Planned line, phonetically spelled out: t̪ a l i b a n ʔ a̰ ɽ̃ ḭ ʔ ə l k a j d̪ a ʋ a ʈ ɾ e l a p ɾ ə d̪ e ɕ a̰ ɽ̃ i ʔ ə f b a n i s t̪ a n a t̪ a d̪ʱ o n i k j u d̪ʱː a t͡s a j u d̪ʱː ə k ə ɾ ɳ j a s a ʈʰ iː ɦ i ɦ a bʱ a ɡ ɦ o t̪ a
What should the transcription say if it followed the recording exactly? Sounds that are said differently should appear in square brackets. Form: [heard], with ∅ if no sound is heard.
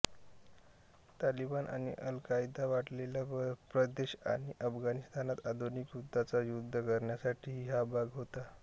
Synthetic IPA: t̪ a l i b a n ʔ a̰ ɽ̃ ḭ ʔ ə l k a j d̪ a ʋ a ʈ [l] e l a p ɾ ə d̪ e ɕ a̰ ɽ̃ i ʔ ə f [ɡ] a n i s t̪ a n a t̪ a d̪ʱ o n i k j u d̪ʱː a t͡s a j u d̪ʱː ə k ə ɾ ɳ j a s a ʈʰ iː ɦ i ɦ a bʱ a ɡ ɦ o t̪ a